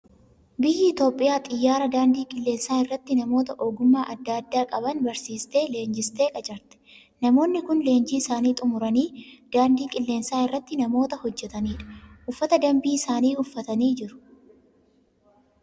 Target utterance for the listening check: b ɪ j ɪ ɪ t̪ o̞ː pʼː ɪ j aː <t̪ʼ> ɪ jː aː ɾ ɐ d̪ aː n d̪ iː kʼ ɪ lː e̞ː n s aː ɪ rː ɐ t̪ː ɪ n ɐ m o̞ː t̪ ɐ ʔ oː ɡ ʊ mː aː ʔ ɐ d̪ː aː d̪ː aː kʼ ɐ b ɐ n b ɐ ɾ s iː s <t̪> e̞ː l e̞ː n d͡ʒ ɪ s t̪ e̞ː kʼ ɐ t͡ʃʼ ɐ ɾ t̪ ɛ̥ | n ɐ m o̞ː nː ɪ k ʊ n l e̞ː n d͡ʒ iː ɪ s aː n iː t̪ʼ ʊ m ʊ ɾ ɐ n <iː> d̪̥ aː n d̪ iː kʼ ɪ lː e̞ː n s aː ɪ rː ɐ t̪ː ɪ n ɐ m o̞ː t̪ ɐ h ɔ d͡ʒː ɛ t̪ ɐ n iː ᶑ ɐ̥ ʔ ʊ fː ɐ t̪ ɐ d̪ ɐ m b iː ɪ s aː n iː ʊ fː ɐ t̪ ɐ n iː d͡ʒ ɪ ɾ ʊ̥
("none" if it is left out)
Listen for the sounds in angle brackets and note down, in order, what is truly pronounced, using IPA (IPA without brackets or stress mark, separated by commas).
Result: t̪ʼ, t̪, iː